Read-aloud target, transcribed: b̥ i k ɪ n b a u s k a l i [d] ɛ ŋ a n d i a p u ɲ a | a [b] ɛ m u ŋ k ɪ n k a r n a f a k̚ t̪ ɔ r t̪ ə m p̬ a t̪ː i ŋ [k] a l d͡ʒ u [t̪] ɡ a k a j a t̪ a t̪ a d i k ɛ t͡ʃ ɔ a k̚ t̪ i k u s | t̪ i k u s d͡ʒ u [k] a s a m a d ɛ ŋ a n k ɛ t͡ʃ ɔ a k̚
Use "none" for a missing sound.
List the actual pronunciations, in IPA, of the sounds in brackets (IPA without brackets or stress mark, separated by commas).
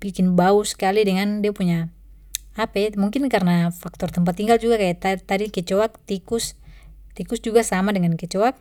d, p, ɡ, none, ɡ